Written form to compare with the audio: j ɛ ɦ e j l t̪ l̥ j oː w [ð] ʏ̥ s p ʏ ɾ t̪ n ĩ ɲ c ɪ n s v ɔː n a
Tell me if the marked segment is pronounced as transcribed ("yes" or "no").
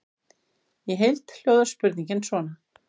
yes